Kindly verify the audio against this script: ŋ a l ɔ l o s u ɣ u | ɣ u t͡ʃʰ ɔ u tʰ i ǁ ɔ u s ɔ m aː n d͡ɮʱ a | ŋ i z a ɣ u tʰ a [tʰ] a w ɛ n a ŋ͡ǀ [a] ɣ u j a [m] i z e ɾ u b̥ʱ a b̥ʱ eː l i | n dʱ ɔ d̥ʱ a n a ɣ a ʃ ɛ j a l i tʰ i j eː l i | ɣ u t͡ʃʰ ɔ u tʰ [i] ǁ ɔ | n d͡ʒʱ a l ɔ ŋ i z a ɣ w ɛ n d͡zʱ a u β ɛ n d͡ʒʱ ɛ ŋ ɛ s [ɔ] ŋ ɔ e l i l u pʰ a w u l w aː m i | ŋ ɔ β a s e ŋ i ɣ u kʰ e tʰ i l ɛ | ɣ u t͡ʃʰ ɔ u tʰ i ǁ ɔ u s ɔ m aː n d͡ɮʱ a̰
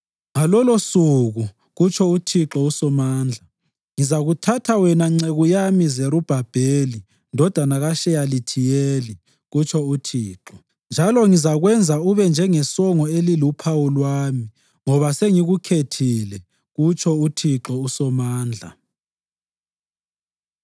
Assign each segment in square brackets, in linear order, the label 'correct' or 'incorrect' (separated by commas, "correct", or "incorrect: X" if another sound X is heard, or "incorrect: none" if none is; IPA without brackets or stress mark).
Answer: correct, incorrect: e, correct, incorrect: iː, correct